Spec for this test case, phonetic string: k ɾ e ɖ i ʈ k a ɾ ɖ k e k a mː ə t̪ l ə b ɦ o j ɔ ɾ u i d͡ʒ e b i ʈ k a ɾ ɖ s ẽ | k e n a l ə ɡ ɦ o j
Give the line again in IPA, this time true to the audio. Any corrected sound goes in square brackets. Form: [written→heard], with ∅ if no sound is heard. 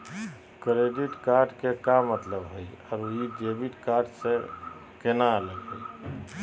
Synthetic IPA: k ɾ e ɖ i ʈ k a ɾ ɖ k e k a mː ə t̪ l ə b ɦ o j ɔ ɾ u i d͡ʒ e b i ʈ k a ɾ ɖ s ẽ | k e n a l ə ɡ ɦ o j